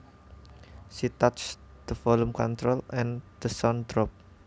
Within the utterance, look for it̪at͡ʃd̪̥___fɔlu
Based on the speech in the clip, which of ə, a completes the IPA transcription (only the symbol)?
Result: ə